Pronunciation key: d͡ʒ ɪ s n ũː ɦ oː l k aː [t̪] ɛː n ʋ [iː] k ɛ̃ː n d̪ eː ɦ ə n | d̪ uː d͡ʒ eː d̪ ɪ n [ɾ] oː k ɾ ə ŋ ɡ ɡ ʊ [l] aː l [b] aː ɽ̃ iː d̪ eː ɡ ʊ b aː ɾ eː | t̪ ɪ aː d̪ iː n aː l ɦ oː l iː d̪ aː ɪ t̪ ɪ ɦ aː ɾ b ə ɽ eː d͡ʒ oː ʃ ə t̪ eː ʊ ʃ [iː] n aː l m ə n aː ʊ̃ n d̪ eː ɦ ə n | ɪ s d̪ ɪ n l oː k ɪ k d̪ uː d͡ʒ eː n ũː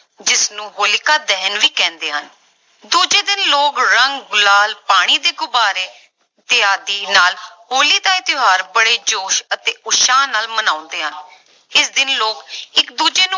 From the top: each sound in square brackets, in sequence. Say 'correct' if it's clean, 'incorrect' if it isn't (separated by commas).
incorrect, correct, incorrect, correct, incorrect, incorrect